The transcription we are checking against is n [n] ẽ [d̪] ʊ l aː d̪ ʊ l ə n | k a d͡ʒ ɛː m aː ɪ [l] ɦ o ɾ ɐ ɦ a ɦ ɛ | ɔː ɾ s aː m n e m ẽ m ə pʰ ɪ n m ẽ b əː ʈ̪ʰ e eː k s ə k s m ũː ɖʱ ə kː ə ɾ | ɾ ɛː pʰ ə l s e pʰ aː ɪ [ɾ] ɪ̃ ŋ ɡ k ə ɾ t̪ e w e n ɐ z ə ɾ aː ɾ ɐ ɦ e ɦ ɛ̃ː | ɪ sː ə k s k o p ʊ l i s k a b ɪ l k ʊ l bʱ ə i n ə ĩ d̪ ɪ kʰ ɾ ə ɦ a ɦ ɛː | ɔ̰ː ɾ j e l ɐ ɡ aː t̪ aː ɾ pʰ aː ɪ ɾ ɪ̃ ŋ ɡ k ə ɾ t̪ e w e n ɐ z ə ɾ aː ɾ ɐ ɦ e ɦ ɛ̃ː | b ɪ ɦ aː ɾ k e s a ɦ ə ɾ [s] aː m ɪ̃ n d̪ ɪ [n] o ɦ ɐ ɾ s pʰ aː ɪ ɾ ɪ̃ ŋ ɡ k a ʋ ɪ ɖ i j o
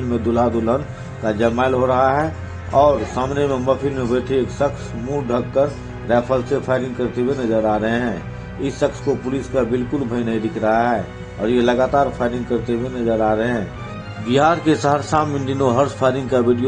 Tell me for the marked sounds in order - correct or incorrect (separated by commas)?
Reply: incorrect, correct, correct, correct, correct, correct